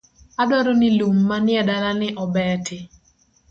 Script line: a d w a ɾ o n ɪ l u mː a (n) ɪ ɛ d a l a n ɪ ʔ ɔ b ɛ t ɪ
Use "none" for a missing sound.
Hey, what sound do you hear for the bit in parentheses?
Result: n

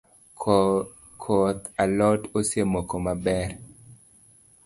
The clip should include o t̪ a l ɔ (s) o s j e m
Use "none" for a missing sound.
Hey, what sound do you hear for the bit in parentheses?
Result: t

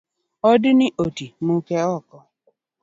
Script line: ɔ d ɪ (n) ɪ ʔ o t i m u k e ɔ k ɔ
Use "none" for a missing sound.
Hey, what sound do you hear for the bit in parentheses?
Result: n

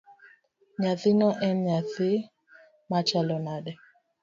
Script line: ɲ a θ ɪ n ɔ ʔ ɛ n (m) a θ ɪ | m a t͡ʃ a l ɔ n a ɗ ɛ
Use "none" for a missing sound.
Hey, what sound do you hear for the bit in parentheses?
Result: ɲ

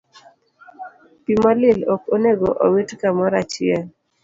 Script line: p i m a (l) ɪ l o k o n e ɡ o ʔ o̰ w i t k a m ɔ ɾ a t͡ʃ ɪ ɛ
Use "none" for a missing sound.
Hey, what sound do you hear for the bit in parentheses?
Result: l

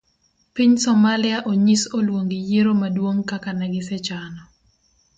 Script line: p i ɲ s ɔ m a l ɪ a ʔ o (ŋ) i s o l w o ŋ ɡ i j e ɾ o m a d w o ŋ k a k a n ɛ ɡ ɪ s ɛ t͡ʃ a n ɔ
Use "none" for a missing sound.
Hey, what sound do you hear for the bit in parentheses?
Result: ɲ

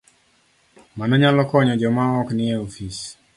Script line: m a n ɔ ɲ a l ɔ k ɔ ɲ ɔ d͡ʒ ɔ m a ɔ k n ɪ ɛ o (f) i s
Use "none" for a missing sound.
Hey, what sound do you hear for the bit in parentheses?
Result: f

